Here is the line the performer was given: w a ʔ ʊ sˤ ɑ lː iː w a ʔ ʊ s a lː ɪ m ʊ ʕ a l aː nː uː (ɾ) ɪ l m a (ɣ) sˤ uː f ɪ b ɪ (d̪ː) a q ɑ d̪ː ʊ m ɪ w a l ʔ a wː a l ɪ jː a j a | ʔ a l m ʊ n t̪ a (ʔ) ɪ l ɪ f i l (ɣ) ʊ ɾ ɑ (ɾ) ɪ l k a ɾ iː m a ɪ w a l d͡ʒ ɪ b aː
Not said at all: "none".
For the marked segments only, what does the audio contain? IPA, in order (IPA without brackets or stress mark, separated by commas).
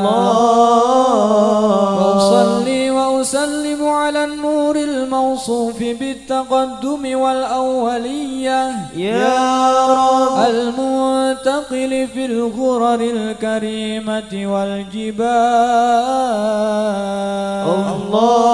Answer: ɾ, w, t̪ː, q, ɣ, ɾ